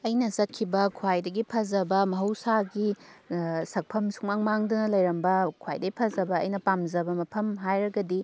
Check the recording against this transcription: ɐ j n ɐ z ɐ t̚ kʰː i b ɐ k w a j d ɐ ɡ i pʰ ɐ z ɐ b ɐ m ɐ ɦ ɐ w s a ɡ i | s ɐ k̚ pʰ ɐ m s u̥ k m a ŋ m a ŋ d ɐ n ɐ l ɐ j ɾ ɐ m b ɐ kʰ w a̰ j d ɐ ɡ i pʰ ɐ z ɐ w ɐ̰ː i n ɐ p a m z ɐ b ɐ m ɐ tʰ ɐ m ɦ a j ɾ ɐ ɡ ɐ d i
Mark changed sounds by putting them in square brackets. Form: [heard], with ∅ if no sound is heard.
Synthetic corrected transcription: ɐ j n ɐ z ɐ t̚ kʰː i b ɐ [kʰ] w a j d ɐ ɡ i pʰ ɐ z ɐ b ɐ m ɐ ɦ ɐ w s a ɡ i | s ɐ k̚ pʰ ɐ m s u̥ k m a ŋ m a ŋ d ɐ n ɐ l ɐ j ɾ ɐ m b ɐ kʰ w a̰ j d ɐ ɡ i pʰ ɐ z ɐ [b] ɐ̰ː [j] n ɐ p a m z ɐ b ɐ m ɐ [pʰ] ɐ m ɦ a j ɾ ɐ ɡ ɐ d i